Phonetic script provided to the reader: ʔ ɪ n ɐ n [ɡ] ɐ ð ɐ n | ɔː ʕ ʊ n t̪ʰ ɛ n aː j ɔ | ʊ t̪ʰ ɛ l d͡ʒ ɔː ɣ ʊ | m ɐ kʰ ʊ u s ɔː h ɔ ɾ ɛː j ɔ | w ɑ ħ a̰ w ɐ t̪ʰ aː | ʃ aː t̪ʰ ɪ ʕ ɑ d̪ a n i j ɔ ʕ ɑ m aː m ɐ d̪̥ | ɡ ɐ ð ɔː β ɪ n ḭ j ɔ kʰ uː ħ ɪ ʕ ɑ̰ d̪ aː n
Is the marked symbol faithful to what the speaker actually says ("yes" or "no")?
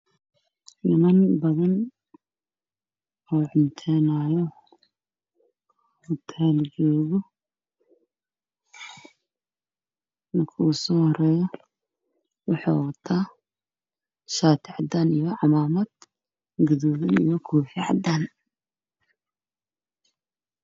no